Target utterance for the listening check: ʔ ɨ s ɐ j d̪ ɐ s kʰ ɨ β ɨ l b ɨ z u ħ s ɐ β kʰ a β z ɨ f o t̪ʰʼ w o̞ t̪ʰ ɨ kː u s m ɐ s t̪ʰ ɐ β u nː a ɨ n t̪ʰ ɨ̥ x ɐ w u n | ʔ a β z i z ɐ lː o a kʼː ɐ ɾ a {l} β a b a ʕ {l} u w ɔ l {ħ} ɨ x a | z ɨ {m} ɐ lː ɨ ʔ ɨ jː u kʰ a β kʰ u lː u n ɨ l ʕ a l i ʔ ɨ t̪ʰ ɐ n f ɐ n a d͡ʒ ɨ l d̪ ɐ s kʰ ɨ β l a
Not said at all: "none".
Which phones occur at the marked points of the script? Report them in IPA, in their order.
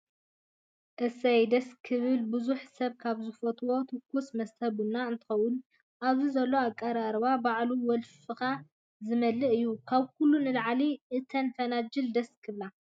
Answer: ɾ, l, f, m

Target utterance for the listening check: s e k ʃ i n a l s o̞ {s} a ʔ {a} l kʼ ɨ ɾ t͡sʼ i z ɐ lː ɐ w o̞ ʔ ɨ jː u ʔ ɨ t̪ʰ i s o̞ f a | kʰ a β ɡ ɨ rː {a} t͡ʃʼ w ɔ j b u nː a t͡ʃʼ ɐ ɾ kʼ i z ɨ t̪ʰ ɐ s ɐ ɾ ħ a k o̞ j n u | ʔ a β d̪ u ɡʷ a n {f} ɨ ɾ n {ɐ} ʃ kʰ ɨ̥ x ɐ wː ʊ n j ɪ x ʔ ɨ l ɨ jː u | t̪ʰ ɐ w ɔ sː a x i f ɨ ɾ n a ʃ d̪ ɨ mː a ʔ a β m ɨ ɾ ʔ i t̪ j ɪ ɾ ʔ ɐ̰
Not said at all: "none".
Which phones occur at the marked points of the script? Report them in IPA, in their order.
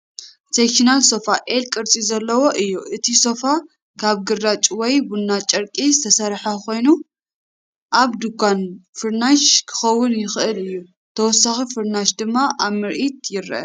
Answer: f, e, a, f, a

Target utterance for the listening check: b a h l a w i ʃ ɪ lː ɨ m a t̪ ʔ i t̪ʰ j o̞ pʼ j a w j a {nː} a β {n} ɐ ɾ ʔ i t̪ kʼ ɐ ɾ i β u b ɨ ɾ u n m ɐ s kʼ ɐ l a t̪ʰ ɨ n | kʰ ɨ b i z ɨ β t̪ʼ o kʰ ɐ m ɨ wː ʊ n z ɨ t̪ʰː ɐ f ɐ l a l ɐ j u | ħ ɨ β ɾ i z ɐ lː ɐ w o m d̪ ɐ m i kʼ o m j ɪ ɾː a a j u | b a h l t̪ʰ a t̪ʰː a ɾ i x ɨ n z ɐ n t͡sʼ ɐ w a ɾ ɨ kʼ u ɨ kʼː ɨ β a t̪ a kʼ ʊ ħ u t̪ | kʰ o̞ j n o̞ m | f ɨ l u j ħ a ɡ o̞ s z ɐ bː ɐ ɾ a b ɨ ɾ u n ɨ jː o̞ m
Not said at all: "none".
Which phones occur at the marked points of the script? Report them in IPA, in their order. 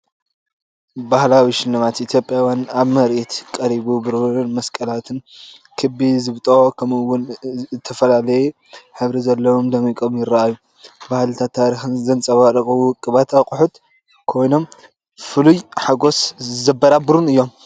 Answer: n, m

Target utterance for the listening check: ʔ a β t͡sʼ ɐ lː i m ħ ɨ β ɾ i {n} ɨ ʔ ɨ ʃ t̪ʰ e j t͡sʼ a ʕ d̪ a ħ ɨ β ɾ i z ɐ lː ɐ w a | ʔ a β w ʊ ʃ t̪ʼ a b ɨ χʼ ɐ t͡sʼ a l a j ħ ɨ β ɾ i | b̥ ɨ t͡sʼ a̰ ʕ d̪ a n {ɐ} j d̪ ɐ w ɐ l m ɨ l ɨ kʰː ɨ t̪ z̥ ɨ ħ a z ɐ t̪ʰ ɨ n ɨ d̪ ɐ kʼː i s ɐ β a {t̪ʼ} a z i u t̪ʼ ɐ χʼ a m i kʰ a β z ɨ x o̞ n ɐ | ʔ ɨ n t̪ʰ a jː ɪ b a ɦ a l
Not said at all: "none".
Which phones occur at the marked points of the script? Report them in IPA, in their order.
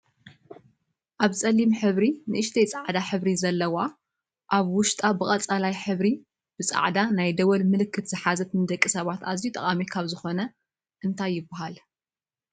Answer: n, a, t̪

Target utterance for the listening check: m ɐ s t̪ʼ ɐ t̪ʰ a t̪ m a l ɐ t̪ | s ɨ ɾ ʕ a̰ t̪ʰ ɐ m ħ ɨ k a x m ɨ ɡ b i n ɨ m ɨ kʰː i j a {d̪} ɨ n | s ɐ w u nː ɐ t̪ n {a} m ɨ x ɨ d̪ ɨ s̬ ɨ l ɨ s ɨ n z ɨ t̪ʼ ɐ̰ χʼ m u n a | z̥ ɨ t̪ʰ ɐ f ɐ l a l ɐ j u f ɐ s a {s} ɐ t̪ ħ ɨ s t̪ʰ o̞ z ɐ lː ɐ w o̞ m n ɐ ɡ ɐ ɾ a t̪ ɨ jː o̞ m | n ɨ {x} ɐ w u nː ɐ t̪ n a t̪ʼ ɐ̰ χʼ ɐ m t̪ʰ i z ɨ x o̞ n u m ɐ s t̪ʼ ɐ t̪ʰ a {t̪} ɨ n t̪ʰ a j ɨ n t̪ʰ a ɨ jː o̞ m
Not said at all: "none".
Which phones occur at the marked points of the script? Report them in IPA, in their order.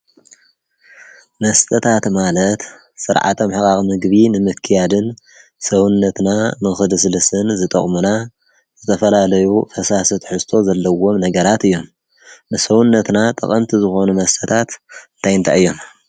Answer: d̪, a, s, s, t̪

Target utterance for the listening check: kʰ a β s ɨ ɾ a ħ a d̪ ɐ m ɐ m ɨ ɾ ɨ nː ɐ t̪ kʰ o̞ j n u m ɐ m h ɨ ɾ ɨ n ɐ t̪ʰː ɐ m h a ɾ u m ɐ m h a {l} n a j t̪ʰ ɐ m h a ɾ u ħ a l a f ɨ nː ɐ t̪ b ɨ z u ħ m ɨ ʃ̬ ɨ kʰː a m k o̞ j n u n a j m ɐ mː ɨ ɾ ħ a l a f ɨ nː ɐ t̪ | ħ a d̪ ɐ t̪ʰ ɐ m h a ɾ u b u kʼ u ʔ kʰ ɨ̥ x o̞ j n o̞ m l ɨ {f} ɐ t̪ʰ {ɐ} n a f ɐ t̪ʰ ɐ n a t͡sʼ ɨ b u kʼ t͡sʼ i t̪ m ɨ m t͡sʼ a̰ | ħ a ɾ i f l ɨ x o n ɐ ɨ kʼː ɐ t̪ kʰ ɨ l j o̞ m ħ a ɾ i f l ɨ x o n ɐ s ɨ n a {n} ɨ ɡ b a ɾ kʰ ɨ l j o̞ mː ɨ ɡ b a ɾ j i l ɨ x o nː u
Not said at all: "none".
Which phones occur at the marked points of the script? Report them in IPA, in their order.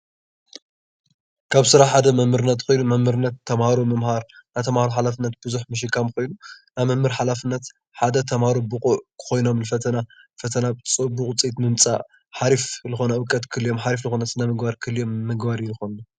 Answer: ɾ, f, ɐ, m

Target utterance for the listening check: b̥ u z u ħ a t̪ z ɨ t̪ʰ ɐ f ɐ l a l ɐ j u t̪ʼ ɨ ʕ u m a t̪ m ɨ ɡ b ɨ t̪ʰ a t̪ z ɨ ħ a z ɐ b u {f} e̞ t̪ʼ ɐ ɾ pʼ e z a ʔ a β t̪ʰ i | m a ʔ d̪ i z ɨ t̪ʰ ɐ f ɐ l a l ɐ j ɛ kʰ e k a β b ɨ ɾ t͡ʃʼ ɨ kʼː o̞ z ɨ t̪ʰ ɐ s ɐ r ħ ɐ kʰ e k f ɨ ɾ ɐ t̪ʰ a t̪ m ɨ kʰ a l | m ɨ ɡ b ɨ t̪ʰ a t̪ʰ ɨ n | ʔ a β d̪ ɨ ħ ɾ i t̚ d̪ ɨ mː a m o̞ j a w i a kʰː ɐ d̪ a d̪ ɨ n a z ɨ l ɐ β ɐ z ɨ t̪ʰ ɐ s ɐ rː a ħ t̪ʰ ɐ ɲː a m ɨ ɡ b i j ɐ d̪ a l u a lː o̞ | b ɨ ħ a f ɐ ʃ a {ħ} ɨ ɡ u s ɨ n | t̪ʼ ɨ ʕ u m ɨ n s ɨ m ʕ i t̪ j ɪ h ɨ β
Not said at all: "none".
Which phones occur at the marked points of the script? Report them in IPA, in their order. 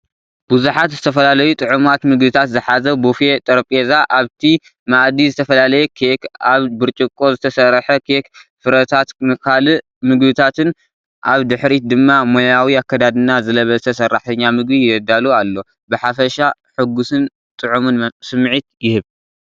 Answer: f, ħ

